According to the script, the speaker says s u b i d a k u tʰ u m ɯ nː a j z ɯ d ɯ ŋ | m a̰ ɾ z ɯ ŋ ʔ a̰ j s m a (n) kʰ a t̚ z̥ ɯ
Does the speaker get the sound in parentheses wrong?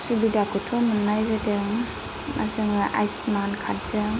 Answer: no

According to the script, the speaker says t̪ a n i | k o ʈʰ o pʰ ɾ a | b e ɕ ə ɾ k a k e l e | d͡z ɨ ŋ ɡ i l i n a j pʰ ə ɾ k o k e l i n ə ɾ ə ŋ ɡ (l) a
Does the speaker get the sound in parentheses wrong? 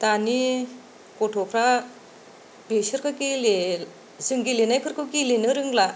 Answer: no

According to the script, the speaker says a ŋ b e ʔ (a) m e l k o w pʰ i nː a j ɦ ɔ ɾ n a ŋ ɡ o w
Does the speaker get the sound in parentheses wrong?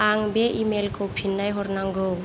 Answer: yes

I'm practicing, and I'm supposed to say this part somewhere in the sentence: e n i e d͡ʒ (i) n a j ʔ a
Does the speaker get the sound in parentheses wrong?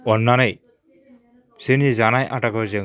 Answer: yes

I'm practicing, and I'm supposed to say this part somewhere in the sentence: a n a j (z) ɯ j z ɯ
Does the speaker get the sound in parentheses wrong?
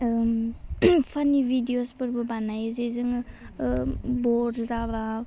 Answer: no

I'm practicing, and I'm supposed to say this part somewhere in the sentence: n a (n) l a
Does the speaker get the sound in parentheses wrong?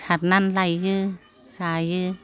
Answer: no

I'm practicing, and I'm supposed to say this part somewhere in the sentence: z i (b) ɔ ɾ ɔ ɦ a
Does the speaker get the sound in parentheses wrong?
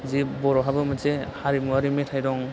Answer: no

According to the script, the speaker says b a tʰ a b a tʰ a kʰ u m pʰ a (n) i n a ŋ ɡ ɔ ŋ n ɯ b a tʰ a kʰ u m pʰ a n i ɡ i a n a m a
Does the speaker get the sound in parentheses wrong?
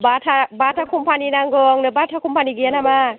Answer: no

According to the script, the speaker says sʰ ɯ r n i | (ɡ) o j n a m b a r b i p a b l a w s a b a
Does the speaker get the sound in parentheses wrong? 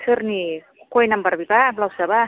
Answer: yes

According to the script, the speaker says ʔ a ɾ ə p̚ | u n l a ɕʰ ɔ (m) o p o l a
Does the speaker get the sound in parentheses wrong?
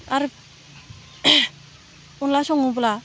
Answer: yes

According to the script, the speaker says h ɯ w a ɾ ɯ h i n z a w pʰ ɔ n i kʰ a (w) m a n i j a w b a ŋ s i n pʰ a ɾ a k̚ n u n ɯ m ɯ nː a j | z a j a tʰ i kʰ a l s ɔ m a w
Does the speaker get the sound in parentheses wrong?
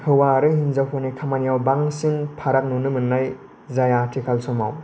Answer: yes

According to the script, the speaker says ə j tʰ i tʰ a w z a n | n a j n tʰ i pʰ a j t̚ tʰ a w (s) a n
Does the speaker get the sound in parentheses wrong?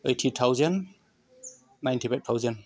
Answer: yes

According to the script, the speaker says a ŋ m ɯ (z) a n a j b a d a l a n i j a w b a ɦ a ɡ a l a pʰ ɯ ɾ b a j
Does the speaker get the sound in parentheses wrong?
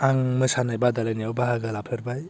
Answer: yes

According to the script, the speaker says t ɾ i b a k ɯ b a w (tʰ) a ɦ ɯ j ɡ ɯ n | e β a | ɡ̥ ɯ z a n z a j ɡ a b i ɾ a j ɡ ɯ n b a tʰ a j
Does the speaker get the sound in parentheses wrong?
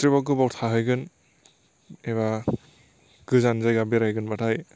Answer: no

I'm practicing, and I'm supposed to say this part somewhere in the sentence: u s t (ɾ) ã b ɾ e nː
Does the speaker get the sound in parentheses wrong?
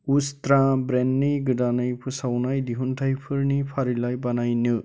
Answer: no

